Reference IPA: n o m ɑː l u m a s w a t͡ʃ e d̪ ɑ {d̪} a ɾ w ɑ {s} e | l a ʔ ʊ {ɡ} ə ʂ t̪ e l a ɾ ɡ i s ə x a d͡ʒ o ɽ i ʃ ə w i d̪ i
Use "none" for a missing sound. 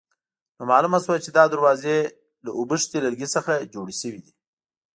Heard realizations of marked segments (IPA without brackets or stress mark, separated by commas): d̪, z, b